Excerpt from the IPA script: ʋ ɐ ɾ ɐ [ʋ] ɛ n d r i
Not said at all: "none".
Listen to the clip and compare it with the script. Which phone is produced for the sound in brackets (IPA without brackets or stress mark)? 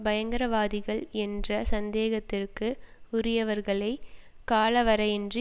none